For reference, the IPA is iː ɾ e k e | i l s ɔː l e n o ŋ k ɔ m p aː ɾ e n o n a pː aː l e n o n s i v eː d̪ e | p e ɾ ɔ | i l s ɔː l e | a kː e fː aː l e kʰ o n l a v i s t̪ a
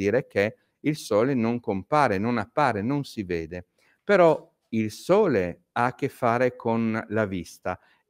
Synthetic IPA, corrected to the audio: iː ɾ e k e | i l s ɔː l e n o ŋ k o m p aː ɾ e n o n a pː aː ɾ e n o n s i v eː d̪ e | p e ɾ ɔ | i l s ɔː l e | a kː e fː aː ɾ e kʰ o n l a v i s t̪ a